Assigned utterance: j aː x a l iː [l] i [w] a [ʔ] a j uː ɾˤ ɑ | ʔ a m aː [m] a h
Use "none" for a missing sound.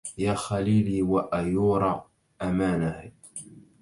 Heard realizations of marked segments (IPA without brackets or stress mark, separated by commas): l, w, ʔ, n